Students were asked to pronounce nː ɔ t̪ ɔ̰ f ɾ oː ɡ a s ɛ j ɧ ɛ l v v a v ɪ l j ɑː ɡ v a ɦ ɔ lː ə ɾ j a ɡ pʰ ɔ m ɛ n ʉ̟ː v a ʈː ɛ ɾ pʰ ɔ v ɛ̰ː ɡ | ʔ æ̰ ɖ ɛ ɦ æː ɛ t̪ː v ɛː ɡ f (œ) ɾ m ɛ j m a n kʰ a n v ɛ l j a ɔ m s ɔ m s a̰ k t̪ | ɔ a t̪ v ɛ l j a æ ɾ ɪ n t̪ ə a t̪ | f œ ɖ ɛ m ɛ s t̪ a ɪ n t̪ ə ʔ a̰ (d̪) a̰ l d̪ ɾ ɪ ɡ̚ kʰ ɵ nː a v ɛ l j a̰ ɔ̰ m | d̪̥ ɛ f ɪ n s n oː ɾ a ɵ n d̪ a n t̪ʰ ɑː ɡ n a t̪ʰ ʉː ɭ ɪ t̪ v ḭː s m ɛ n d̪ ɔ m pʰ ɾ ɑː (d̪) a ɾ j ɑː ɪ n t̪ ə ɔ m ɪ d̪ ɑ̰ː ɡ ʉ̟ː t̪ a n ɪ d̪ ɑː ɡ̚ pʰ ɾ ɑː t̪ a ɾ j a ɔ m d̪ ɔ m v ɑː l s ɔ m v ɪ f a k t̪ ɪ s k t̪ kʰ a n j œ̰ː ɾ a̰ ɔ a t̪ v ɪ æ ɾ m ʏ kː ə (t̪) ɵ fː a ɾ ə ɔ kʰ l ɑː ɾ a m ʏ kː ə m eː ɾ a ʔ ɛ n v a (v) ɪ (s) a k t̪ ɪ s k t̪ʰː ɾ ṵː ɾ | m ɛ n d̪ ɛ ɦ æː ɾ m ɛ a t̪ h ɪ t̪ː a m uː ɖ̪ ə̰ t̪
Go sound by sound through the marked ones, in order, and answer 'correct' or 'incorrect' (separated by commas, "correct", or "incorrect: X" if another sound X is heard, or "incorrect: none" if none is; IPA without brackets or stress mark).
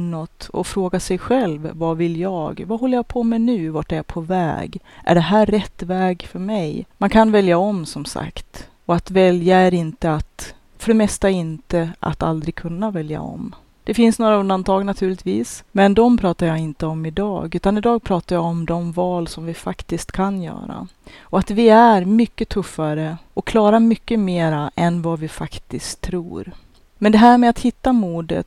correct, incorrect: t̪, incorrect: t̪, incorrect: t̪ʰ, correct, incorrect: f